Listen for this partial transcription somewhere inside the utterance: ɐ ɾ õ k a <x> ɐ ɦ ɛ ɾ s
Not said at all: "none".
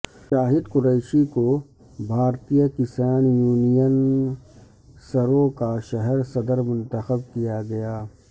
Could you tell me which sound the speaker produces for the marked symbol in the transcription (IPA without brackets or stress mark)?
ʃ